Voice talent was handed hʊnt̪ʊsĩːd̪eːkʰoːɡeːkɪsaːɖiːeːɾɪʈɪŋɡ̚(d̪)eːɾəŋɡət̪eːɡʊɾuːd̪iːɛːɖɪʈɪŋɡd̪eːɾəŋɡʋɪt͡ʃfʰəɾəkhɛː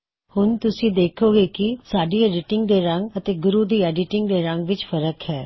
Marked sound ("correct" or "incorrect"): correct